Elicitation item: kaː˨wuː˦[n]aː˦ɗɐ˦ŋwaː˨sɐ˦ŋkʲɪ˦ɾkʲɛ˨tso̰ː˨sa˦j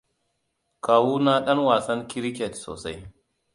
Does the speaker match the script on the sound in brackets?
yes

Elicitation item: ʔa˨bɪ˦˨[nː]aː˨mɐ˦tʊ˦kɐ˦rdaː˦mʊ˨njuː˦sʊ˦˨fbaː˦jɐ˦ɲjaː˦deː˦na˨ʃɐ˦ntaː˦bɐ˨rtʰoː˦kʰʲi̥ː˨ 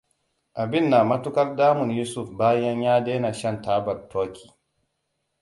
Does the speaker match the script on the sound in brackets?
yes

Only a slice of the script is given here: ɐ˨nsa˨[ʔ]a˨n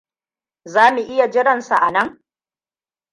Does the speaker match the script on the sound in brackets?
yes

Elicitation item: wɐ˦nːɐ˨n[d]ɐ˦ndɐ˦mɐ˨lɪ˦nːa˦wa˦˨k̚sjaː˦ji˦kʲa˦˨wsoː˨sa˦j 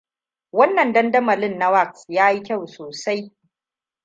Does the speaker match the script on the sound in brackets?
yes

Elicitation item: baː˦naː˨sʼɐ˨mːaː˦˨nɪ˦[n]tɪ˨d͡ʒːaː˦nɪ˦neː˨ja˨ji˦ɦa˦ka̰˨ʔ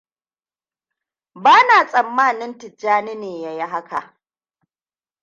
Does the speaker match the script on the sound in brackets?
yes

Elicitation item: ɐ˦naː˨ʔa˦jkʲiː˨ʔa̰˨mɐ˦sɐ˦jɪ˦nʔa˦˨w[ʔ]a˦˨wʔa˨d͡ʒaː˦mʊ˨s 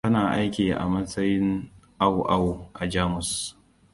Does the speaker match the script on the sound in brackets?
yes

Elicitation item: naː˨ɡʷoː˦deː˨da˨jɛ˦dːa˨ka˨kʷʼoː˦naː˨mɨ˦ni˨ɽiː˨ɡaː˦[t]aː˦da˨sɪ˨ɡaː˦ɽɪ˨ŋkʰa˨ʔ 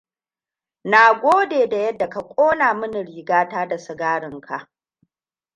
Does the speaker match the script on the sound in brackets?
yes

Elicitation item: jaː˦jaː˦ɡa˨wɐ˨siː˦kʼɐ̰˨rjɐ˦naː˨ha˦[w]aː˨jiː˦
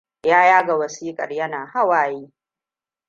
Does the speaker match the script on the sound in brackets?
yes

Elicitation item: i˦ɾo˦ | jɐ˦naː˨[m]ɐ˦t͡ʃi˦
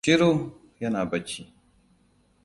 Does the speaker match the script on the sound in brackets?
no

